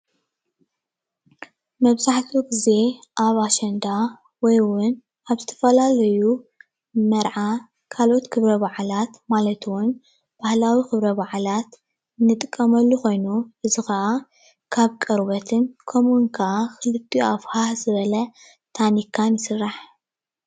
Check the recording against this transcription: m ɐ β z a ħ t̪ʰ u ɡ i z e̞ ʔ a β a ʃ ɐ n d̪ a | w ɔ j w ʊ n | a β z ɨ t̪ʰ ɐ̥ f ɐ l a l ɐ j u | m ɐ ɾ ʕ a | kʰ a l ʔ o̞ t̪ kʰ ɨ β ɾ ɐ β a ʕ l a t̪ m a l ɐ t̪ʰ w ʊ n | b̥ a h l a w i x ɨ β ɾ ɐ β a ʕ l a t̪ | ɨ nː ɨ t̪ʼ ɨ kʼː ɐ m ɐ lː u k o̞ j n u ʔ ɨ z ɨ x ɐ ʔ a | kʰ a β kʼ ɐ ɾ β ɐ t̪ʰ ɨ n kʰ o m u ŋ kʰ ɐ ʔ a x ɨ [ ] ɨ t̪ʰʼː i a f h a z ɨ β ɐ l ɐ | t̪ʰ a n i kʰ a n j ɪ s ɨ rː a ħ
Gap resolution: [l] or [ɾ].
l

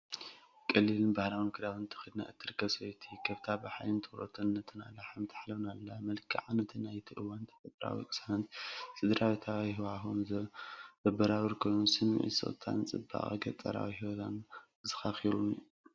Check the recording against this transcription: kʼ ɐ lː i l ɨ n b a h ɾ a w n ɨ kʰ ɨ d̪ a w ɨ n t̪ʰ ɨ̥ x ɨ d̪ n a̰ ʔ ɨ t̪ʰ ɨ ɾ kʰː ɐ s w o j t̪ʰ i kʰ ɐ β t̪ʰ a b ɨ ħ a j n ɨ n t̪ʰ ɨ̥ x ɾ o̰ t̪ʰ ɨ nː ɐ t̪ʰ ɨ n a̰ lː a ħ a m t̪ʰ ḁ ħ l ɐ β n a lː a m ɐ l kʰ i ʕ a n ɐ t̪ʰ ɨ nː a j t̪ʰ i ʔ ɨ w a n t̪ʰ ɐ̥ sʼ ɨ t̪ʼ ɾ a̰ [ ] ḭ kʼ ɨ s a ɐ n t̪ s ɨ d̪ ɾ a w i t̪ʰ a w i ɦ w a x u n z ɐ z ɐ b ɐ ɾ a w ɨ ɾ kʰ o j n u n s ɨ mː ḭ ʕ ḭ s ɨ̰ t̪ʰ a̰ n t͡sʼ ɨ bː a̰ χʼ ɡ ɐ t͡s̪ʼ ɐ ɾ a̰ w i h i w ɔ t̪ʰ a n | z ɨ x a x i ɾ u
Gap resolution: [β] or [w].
w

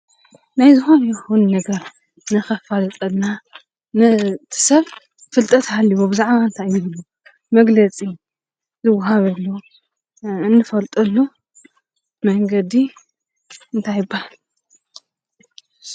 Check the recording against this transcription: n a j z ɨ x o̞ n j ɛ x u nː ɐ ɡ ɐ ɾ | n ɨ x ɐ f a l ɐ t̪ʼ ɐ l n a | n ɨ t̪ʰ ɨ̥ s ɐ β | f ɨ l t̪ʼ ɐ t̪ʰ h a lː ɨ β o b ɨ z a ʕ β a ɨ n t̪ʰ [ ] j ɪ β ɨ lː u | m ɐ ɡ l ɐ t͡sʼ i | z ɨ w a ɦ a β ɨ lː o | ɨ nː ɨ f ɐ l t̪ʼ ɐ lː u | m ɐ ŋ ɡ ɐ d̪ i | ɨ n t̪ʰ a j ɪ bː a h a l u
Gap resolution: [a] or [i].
a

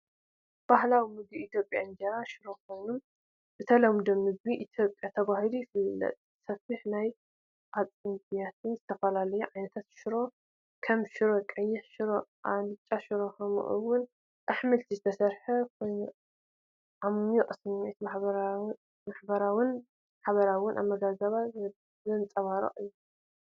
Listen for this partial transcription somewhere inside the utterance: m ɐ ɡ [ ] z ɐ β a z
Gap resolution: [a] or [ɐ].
a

